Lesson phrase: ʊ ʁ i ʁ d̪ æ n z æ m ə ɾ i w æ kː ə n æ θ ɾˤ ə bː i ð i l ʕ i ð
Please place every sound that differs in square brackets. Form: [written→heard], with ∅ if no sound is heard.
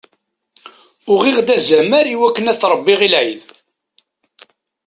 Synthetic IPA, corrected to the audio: ʊ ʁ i ʁ d̪ æ [n→∅] z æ m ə ɾ i w æ kː ə n æ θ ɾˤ ə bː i [ð→ʁ] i l ʕ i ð